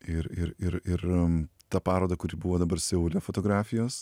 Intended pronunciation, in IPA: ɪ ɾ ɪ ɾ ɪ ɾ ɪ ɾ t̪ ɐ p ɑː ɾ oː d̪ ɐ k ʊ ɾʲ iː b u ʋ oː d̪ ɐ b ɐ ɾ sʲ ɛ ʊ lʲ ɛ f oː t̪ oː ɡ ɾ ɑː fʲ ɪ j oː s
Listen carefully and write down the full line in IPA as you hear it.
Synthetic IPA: ɪ ɾ ɪ ɾ ɪ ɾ ɪ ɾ t̪ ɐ p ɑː ɾ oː d̪ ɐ k ʊ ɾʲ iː b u ʋ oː d̪ ɐ b ɐ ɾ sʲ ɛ ʊ lʲ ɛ f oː t̪ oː ɡ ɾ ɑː fʲ ɪ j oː s